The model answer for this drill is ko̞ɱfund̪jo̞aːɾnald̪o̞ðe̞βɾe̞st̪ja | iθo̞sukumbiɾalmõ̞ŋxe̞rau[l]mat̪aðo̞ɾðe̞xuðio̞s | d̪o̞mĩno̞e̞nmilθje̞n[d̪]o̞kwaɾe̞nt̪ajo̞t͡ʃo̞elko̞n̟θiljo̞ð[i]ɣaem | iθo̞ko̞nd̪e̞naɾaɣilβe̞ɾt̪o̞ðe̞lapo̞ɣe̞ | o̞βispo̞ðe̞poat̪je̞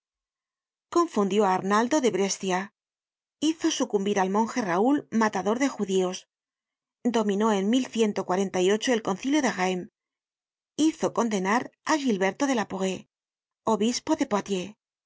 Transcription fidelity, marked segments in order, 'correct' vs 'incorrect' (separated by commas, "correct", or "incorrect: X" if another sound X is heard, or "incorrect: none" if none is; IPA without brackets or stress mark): correct, incorrect: t̪, incorrect: e